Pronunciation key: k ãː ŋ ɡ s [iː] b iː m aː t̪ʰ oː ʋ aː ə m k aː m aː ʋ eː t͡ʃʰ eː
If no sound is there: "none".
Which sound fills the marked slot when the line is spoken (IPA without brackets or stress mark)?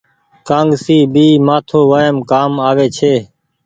iː